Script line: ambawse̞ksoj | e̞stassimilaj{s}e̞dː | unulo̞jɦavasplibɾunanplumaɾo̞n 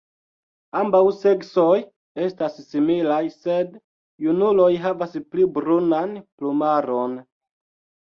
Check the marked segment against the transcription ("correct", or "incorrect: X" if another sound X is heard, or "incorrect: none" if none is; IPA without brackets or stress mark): correct